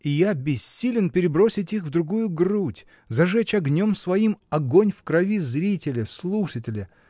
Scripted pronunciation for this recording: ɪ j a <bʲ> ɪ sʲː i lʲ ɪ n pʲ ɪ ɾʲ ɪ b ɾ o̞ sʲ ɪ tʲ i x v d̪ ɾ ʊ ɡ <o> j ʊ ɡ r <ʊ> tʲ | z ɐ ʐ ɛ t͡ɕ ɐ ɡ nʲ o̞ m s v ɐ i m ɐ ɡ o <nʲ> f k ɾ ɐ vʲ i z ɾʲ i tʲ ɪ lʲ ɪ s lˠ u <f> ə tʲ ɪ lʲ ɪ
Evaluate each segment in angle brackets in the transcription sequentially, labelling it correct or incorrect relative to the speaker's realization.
correct, incorrect, incorrect, correct, incorrect

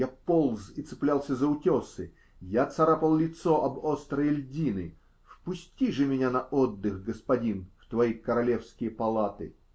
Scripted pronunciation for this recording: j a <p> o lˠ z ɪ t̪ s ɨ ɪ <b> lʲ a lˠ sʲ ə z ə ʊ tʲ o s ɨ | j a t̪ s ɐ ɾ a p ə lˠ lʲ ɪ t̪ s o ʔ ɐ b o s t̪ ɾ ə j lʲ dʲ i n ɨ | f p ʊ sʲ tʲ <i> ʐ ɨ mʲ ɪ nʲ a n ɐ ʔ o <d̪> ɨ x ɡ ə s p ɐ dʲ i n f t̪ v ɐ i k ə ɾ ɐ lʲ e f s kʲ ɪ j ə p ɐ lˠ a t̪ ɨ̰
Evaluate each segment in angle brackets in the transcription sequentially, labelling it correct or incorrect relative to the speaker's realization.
correct, incorrect, correct, incorrect

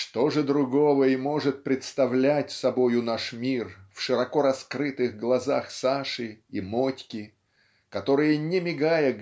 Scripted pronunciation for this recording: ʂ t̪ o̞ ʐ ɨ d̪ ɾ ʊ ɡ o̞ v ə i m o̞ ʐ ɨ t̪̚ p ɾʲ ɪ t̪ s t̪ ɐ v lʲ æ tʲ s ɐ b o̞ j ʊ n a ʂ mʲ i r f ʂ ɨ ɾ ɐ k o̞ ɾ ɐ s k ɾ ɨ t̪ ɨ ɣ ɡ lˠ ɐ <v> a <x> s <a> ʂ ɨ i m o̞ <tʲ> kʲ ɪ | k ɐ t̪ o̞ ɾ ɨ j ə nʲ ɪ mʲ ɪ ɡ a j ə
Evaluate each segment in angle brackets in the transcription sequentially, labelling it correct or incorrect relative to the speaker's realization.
incorrect, correct, correct, correct

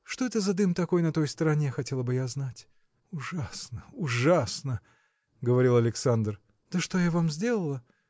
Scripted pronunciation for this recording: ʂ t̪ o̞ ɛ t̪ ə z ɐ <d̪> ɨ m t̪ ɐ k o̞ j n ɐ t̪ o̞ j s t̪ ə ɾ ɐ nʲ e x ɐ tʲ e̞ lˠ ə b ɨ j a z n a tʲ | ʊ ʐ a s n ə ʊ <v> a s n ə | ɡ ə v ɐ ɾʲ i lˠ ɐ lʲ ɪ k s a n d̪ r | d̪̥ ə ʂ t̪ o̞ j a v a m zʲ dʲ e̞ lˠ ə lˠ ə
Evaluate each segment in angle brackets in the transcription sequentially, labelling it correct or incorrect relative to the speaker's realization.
correct, incorrect

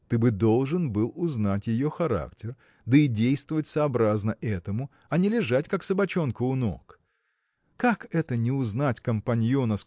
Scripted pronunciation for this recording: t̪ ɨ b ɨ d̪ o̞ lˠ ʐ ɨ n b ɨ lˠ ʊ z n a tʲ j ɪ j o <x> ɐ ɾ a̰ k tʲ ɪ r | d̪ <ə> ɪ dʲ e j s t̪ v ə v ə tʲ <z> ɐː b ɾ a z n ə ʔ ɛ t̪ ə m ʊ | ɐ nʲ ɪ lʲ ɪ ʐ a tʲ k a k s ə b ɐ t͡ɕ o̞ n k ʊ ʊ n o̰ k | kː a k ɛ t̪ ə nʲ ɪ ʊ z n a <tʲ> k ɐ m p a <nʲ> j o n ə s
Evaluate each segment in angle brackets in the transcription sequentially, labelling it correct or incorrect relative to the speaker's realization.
correct, correct, incorrect, correct, correct

